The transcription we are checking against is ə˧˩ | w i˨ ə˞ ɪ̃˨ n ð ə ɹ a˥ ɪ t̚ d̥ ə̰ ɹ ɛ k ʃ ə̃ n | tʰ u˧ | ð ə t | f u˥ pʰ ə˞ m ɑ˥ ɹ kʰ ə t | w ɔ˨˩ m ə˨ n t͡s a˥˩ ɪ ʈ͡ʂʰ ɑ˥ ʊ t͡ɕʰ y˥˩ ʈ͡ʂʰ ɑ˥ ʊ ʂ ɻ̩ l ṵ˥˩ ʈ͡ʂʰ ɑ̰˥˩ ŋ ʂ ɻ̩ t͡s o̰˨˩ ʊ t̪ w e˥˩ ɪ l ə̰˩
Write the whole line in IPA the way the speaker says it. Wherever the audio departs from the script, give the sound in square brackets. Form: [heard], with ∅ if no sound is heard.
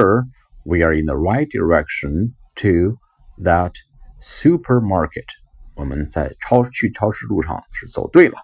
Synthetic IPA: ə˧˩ | w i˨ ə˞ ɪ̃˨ n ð ə ɹ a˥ ɪ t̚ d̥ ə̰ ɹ ɛ k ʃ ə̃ n | tʰ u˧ | ð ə t | [s] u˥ pʰ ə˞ m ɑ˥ ɹ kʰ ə t | w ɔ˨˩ m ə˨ n t͡s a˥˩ ɪ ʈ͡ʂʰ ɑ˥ ʊ t͡ɕʰ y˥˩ ʈ͡ʂʰ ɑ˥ ʊ ʂ ɻ̩ l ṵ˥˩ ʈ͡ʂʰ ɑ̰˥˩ ŋ ʂ ɻ̩ t͡s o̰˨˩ ʊ t̪ w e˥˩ ɪ l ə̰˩